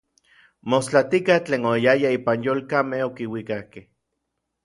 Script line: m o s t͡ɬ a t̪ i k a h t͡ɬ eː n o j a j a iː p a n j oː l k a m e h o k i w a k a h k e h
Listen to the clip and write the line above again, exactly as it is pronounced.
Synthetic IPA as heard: m o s t͡ɬ a t̪ i k a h t͡ɬ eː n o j a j a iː p a n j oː l k a m e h o k i w i k a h k e h

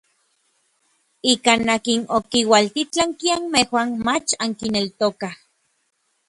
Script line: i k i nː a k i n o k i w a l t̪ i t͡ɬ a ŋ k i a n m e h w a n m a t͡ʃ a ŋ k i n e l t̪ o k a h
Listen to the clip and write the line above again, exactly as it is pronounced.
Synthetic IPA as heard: i k a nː a k i n o k i w a l t̪ i t͡ɬ a ŋ k i a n m e h w a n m a t͡ʃ a ŋ k i n e l t̪ o k a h

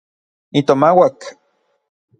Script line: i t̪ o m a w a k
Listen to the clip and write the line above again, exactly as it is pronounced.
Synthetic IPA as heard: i t̪ o m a w a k

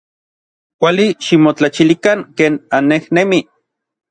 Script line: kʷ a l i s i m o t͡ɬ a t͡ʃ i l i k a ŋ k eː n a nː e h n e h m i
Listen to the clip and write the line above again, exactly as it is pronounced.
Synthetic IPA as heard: kʷ a l i ʃ i m o t͡ɬ a t͡ʃ i l i k a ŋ k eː n a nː e h n e m i

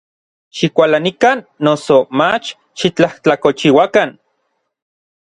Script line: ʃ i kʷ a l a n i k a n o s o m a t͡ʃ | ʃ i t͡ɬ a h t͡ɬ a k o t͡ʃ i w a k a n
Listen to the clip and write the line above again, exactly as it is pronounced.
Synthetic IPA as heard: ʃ i kʷ a l a n i k a nː o s o m a t͡ʃ | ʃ i t͡ɬ a h t͡ɬ a k o t͡ʃ i w a k a n

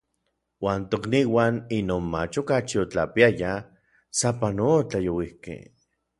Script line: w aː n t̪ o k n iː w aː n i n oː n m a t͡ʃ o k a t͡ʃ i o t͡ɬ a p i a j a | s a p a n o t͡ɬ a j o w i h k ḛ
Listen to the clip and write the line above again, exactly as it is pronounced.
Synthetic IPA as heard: w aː n t̪ o k n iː w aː n i n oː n m a t͡ʃ o k a t͡ʃ i o t͡ɬ a p i a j a | s a p a n o t͡ɬ a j o w i h k ḛ

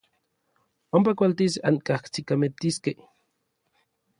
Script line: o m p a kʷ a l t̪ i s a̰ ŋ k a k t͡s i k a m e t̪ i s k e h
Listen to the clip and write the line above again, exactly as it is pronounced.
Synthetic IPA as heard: o m p a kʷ a l t̪ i s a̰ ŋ k a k t͡s i k a m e t̪ i s k e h

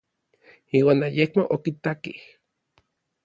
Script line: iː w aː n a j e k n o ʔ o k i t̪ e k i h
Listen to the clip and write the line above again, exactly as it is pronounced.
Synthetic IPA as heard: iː w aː n a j e k m o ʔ o k i t̪ a k i h

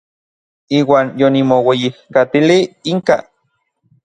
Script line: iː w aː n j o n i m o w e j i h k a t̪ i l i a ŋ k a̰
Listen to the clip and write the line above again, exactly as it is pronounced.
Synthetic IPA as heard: iː w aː n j o n i m o w e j i h k a t̪ i l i i ŋ k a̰

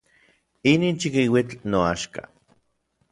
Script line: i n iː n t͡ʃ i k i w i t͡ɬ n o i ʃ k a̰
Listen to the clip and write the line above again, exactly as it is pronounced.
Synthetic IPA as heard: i n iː n t͡ʃ i k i w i t͡ɬ n o a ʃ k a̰

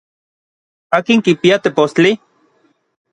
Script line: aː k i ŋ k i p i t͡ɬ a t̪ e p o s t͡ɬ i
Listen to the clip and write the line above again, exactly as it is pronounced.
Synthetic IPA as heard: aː k i ŋ k i p i a t̪ e p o s t͡ɬ i

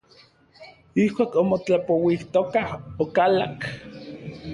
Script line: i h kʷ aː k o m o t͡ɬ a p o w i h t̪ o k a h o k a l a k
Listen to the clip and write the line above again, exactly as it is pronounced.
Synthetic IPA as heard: i h kʷ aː k o m o t͡ɬ a p o w i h t̪ o k a h o k a l a k

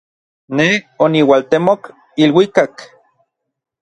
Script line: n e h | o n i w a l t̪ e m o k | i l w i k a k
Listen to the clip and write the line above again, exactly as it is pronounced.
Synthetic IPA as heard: n e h | o n i w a l t̪ e m o k | i l w i k a k

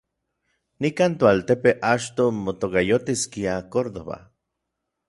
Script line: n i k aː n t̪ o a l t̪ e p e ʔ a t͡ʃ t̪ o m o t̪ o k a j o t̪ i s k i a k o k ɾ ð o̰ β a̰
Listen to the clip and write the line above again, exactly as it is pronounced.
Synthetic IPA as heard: n i k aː n t̪ o a l t̪ e p e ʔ a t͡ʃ t̪ o m o t̪ o k a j o t̪ i s k i a k o ɾ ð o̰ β a̰

